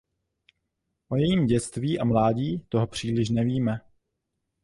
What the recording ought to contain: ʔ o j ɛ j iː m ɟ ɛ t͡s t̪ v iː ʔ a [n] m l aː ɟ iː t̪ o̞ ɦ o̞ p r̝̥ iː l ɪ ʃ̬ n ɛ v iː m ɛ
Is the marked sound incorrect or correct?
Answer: incorrect